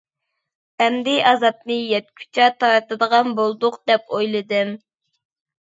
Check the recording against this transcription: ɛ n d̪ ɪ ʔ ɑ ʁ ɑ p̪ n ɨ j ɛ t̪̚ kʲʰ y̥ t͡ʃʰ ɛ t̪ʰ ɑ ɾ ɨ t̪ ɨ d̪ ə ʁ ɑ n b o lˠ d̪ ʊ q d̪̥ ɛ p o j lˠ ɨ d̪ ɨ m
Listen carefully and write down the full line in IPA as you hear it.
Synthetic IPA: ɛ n d̪ ɪ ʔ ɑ z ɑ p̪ n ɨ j ɛ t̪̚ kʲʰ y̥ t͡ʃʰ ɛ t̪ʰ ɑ ɾ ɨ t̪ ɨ d̪ ə ʁ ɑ n b o lˠ d̪ ʊ q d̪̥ ɛ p o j lˠ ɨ d̪ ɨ m